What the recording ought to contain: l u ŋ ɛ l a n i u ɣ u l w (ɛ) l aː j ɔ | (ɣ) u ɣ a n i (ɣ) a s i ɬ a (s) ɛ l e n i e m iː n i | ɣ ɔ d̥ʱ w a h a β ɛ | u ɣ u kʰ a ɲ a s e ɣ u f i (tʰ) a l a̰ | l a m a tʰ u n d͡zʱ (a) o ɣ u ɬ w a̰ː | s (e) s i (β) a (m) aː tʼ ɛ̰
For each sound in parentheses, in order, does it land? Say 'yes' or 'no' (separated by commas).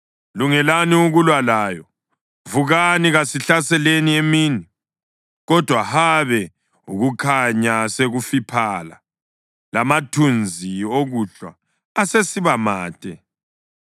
no, no, yes, yes, no, no, yes, yes, yes